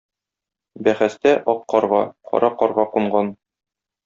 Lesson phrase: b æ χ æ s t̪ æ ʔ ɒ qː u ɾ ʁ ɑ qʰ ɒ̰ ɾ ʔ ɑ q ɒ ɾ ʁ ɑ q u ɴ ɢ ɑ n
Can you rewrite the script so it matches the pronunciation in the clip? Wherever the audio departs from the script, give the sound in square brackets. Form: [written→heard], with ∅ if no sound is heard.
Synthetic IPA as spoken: b æ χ æ s t̪ æ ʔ ɒ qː [u→ɒ] ɾ ʁ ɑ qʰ ɒ̰ ɾ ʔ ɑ q ɒ ɾ ʁ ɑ q u ɴ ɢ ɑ n